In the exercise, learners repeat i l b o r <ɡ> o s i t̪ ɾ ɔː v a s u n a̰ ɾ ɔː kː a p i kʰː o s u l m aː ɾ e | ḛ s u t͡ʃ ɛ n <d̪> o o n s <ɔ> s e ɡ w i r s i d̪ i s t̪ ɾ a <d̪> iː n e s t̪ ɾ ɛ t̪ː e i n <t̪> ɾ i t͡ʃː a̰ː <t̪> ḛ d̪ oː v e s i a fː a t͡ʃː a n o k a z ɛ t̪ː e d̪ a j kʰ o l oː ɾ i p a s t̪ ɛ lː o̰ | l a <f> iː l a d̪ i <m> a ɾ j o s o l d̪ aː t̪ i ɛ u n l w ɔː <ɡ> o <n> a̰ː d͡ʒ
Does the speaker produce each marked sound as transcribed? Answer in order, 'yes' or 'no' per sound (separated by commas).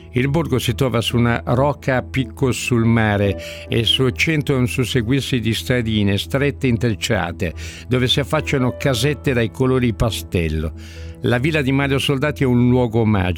yes, no, no, yes, yes, yes, no, yes, yes, no